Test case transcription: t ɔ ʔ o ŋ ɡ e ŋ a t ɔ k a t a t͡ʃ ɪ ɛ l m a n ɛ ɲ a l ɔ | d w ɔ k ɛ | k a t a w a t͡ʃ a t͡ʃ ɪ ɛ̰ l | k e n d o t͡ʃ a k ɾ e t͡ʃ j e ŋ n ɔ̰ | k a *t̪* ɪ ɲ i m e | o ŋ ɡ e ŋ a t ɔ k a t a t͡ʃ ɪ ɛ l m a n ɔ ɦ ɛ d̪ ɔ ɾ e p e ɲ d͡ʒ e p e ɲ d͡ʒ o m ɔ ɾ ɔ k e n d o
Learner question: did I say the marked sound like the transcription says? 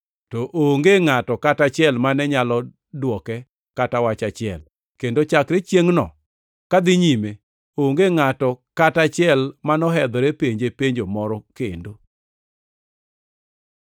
no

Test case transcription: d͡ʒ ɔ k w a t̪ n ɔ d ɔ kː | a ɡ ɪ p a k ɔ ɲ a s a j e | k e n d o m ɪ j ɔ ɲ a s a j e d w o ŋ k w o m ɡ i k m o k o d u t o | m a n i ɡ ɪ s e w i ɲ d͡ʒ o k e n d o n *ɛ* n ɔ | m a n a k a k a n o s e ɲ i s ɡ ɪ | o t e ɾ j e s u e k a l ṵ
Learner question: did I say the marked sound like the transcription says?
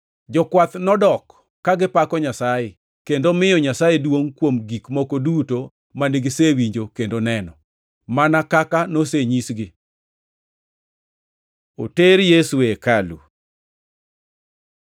yes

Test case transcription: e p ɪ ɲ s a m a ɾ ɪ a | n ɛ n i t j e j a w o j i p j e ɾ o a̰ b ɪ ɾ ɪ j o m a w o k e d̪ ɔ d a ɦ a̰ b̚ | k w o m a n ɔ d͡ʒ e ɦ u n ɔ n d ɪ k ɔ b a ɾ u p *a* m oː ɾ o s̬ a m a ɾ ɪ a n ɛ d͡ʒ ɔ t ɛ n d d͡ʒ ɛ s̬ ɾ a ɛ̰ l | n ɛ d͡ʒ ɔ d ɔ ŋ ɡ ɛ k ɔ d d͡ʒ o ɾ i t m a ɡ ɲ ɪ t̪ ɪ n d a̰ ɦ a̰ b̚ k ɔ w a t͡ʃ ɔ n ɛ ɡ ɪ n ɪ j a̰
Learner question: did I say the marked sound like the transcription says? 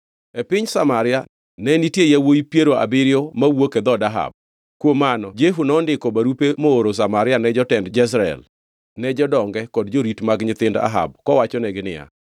no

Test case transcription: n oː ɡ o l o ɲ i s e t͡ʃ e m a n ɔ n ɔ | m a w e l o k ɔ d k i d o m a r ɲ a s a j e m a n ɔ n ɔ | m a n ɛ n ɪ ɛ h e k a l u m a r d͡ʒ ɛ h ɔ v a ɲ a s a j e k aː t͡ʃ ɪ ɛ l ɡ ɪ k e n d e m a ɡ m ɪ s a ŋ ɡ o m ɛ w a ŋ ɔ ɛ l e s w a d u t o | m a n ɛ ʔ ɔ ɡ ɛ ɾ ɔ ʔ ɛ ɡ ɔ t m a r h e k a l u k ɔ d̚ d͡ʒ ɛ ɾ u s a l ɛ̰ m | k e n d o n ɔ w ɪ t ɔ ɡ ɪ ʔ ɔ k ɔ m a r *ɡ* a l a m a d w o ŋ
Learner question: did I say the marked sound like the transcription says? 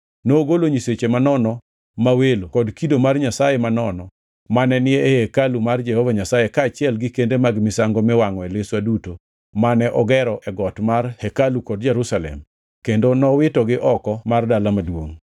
no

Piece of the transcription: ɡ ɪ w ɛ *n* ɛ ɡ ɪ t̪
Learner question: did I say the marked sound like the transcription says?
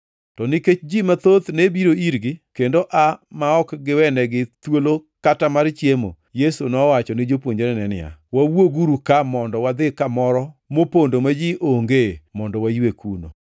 yes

